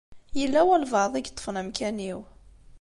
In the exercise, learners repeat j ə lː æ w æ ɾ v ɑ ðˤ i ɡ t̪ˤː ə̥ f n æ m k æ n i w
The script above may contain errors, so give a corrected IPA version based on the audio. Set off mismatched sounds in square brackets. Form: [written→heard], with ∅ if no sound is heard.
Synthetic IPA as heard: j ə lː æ w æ [ɾ→l] v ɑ ðˤ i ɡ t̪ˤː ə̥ f n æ m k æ n i w

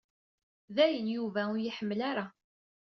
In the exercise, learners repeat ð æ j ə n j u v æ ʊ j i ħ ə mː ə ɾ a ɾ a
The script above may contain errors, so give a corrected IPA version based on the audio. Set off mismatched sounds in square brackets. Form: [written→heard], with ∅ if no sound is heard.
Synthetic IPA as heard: ð æ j ə n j u v æ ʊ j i ħ ə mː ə [ɾ→l] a ɾ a

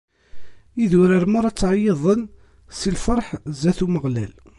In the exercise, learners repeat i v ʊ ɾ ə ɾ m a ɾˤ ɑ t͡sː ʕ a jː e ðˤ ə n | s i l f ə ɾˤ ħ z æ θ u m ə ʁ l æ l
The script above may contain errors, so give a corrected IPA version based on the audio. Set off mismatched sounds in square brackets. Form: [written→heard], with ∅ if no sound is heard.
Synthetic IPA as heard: i [v→ð] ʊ ɾ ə ɾ m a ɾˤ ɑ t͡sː ʕ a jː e ðˤ ə n | s i l f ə ɾˤ ħ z æ θ u m ə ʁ l æ l

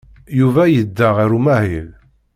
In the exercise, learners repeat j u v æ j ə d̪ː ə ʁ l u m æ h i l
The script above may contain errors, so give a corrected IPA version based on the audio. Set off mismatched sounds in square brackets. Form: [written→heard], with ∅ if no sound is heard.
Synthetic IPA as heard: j u v æ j ə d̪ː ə ʁ [l→ɾ] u m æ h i l

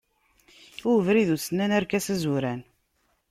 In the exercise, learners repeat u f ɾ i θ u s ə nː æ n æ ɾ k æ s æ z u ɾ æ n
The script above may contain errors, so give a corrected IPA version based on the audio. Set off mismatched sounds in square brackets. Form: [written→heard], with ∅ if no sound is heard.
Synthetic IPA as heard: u [f→v] ɾ i [θ→ð] u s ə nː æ n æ ɾ k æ s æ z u ɾ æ n

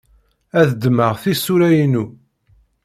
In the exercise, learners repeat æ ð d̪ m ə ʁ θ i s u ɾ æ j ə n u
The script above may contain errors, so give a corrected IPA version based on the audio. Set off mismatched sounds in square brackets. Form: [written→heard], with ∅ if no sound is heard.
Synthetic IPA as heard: æ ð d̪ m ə ʁ θ i s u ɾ æ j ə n u

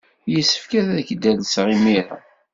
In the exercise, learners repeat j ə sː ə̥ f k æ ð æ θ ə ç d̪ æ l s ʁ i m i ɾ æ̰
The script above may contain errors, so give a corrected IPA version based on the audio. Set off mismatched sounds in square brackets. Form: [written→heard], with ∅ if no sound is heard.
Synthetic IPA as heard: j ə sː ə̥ f k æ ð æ [θ→ð] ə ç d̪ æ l s ʁ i m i ɾ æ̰

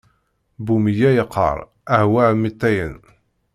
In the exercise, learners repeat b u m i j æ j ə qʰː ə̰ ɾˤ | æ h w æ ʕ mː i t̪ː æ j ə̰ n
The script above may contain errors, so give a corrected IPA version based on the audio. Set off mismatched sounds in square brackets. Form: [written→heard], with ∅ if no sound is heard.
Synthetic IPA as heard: b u m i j æ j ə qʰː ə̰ ɾˤ | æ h w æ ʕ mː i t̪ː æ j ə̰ n

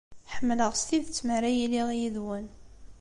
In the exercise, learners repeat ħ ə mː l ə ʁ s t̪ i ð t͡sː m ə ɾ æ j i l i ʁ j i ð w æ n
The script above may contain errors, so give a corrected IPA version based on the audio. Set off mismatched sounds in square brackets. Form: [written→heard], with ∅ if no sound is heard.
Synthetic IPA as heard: ħ ə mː l ə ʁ s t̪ i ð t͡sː m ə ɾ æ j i l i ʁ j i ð w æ n

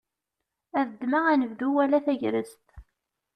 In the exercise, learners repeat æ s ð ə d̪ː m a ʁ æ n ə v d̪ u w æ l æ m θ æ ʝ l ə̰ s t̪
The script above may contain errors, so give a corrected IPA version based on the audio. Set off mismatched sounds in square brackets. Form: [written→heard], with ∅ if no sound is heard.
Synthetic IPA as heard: æ [s→∅] ð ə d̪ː m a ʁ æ n ə v d̪ u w æ l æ [m→∅] θ æ ʝ [l→ɾ] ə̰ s t̪

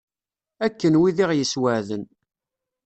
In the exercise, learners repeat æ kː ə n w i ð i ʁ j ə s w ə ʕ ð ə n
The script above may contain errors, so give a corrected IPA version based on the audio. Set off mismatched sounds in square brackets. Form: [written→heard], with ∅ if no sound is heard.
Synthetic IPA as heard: æ kː ə n w i ð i ʁ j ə s w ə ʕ ð ə n

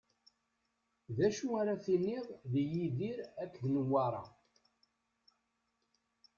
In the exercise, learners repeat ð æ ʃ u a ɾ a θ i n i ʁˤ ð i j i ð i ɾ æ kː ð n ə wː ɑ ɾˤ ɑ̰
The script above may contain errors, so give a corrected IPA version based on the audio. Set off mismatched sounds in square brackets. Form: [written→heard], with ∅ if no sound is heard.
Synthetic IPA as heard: ð æ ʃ u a ɾ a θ i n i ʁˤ ð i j i ð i ɾ æ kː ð n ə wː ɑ ɾˤ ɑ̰

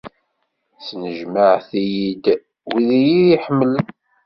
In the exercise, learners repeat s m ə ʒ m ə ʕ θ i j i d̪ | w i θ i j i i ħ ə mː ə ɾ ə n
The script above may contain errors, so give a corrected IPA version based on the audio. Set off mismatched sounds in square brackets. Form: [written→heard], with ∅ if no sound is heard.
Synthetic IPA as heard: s [m→n] ə ʒ m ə ʕ θ i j i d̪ | w i [θ→ð] i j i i ħ ə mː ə [ɾ→l] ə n

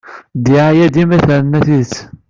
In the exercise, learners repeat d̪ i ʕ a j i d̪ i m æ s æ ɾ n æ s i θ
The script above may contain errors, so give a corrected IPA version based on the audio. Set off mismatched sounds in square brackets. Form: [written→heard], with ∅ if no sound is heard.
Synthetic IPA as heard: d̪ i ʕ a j [i→æ] d̪ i m æ [s→θ] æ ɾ n æ [s→θ] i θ

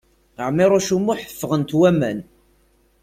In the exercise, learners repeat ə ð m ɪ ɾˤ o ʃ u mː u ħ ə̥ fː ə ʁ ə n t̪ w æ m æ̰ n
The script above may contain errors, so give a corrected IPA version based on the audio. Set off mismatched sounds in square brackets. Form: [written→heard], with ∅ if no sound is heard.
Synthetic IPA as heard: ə [ð→ʕ] m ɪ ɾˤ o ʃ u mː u ħ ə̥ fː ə ʁ ə n t̪ w æ m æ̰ n

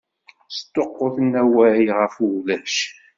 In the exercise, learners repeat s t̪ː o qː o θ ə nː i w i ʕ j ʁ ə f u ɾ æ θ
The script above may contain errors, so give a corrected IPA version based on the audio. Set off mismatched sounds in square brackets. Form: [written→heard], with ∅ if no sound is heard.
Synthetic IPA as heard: s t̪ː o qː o θ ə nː [i→æ] w [i→æ] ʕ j ʁ ə f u [ɾ→l] æ [θ→ʃ]

